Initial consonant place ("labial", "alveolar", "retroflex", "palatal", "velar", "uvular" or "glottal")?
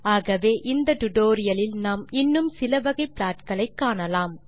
velar